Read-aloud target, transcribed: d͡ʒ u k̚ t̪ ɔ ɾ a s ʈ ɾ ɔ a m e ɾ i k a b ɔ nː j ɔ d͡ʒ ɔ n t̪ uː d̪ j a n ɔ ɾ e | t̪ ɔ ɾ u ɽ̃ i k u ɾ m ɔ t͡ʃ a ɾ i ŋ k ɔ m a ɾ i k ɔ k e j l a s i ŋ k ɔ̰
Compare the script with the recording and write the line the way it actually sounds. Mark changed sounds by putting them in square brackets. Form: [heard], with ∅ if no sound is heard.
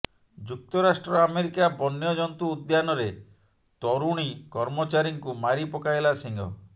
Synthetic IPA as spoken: d͡ʒ u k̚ t̪ ɔ ɾ a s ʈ ɾ ɔ a m e ɾ i k a b ɔ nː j ɔ d͡ʒ ɔ n t̪ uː d̪ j a n ɔ ɾ e | t̪ ɔ ɾ u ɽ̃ i k [ɔ] ɾ m ɔ t͡ʃ a ɾ i ŋ k [u] m a ɾ i [p] ɔ k [a] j l a s i ŋ [ɡ] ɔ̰

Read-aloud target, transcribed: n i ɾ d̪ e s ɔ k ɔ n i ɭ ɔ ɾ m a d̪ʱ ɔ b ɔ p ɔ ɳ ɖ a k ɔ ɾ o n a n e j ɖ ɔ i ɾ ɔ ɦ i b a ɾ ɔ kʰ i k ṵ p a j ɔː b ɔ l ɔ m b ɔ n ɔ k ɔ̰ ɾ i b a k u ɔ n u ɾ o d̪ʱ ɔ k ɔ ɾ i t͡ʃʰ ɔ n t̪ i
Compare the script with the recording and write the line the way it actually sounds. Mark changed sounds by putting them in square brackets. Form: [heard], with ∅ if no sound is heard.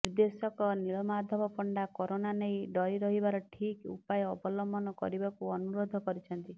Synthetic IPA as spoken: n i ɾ d̪ e s ɔ k ɔ n i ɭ ɔ [∅] m a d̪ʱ ɔ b ɔ p ɔ ɳ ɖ a k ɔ ɾ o n a n e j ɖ ɔ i ɾ ɔ ɦ i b a ɾ ɔ [ʈʰ] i k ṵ p a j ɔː b ɔ l ɔ m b ɔ n ɔ k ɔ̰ ɾ i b a k u ɔ n u ɾ o d̪ʱ ɔ k ɔ ɾ i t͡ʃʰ ɔ n t̪ i

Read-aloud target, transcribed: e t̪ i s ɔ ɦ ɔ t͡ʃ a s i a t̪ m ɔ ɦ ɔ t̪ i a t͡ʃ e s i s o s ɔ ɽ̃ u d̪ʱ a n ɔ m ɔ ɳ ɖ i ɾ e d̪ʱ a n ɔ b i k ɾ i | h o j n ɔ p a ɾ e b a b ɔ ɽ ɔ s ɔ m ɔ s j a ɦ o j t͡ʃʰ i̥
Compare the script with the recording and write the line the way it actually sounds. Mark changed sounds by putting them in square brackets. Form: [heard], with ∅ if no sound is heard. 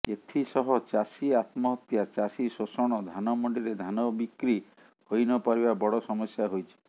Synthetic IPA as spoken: e [t̪ʰ] i s ɔ ɦ ɔ t͡ʃ a s i a t̪ m ɔ ɦ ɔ t̪ [j] a t͡ʃ [a] s i s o s ɔ ɽ̃ [ɔ] d̪ʱ a n ɔ m ɔ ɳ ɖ i ɾ e d̪ʱ a n ɔ b i k ɾ i | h o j n ɔ p a ɾ [i] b a b ɔ ɽ ɔ s ɔ m ɔ s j a ɦ o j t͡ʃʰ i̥

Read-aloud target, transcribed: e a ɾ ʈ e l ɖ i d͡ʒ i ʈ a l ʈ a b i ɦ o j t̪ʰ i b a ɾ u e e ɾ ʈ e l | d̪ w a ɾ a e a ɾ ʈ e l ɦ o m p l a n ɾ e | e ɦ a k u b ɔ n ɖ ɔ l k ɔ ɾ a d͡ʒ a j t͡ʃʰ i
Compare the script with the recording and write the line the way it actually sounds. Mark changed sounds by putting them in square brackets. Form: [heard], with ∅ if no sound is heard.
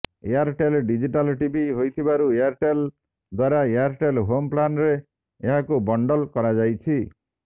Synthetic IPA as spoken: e a ɾ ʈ e l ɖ i d͡ʒ i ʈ a l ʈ [i] b i ɦ o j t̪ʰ i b a ɾ u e [a] ɾ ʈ e l | d̪ w a ɾ a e a ɾ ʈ e l ɦ o m p l a n ɾ e | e ɦ a k u b ɔ [ɳ] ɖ ɔ l k ɔ ɾ a d͡ʒ a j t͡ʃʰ i

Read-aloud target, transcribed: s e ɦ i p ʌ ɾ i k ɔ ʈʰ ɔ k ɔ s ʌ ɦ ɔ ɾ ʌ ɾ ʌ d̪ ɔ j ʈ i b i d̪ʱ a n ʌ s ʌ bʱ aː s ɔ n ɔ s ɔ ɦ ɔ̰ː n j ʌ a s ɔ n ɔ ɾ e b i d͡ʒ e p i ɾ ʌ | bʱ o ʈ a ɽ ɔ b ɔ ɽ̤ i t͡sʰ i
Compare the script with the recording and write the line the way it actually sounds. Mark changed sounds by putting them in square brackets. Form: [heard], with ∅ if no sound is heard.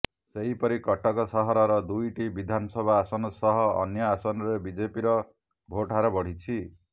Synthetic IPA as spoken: s e ɦ i p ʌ ɾ i k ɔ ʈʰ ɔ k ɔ s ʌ ɦ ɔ ɾ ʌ ɾ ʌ d̪ [u] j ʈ i b i d̪ʱ a n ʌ s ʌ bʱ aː s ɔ n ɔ s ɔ ɦ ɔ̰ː n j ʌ a s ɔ n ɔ ɾ e b i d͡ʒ e p i ɾ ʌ | bʱ o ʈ a [ɾ] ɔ b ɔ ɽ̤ i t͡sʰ i

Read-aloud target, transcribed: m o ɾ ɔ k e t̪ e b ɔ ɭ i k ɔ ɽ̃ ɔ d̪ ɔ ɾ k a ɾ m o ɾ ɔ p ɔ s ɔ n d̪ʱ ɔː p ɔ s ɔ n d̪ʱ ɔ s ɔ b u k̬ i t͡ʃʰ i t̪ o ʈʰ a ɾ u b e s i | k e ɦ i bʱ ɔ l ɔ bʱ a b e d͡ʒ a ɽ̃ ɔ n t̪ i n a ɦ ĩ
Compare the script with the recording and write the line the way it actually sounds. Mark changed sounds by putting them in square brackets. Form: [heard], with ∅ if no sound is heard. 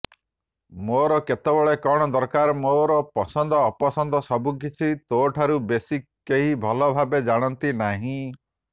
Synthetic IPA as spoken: m o ɾ ɔ k e t̪ e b ɔ ɭ [e] k ɔ ɽ̃ ɔ d̪ ɔ ɾ k a ɾ m o ɾ ɔ p ɔ s ɔ n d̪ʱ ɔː p ɔ s ɔ n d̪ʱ ɔ s ɔ b u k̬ i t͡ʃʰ i t̪ o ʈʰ a ɾ u b e s i | k e ɦ i bʱ ɔ l ɔ bʱ a b e d͡ʒ a ɽ̃ ɔ n t̪ i n a ɦ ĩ

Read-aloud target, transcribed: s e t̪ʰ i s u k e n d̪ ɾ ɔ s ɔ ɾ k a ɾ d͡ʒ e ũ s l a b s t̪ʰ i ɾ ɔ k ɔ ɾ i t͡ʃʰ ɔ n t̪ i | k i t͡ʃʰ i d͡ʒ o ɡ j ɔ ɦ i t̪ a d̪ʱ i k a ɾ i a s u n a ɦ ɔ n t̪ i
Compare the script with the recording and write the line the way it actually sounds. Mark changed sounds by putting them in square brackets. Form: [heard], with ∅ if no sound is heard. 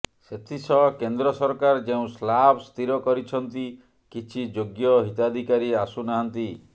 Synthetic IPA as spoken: s e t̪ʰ i s [ɔ] k e n d̪ ɾ ɔ s ɔ ɾ k a ɾ d͡ʒ e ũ s l a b s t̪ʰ i ɾ ɔ k ɔ ɾ i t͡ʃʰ ɔ n t̪ i | k i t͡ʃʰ i d͡ʒ o ɡ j ɔ ɦ i t̪ a d̪ʱ i k a ɾ i a s u n a ɦ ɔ n t̪ i

